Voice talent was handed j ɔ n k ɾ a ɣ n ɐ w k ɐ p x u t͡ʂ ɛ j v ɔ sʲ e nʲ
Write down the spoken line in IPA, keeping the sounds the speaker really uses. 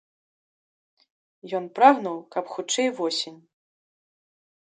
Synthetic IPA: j ɔ n p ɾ a ɣ n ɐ w k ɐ p x u t͡ʂ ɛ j v ɔ sʲ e nʲ